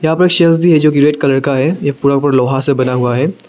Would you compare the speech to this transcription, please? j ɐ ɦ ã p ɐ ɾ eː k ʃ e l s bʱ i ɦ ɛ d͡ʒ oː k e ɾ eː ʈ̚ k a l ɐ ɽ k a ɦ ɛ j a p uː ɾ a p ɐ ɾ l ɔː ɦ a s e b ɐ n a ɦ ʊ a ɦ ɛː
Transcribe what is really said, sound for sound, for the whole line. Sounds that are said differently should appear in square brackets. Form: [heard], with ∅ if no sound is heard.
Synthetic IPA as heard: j ɐ ɦ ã p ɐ ɾ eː k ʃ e l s bʱ i ɦ ɛ d͡ʒ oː k [i] ɾ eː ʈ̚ k a l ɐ ɽ k a ɦ ɛ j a p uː ɾ a p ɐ ɾ l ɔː ɦ a s e b ɐ n a ɦ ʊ a ɦ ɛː